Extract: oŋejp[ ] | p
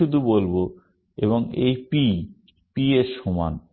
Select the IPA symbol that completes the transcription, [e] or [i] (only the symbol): i